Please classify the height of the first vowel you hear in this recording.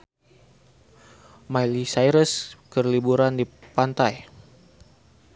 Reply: low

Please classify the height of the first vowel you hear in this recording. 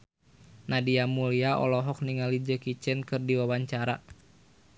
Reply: low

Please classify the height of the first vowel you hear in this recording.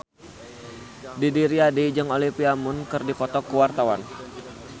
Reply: high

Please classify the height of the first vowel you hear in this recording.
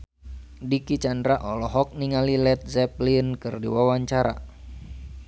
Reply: high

